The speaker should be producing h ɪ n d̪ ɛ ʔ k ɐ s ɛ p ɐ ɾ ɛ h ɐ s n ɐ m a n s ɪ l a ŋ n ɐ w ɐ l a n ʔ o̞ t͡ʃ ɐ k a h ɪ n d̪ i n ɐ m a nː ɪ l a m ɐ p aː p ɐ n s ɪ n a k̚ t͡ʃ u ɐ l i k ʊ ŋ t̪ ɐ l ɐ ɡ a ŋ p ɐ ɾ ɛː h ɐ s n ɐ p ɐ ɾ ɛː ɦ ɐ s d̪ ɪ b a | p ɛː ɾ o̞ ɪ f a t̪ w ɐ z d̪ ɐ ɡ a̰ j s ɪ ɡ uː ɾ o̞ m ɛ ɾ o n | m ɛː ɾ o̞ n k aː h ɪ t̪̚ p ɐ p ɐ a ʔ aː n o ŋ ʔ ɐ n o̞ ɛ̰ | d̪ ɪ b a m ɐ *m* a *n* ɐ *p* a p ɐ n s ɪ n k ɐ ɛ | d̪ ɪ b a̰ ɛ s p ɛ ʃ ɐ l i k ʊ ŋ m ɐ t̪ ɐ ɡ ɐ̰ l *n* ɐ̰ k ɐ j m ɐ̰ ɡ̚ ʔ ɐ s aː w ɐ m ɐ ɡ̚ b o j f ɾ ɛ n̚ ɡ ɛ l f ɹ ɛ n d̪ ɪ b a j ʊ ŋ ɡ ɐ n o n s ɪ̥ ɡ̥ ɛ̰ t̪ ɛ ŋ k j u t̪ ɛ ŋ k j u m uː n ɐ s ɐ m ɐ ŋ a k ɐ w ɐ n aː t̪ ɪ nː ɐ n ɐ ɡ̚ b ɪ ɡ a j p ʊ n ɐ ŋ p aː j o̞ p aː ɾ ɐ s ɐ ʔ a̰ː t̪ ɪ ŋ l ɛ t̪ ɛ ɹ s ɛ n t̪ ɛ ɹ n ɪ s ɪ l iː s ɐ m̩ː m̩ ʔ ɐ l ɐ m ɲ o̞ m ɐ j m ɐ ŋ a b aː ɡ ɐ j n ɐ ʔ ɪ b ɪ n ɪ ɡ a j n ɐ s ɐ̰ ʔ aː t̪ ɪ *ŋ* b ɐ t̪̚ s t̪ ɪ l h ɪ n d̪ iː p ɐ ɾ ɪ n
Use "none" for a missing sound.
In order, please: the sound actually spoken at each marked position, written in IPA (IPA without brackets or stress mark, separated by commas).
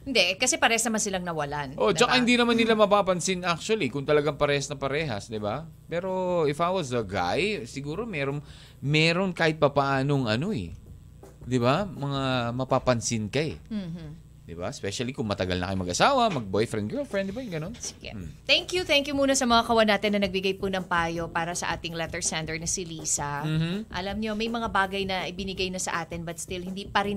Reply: ŋ, m, p, n, n